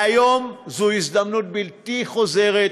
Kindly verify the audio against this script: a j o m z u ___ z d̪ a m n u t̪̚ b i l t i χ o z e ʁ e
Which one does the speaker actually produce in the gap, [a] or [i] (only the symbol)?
i